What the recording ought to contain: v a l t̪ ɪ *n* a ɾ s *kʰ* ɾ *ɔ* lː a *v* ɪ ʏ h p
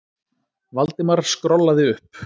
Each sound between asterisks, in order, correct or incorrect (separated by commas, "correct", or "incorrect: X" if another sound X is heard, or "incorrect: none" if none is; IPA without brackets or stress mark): incorrect: m, incorrect: k, correct, incorrect: ð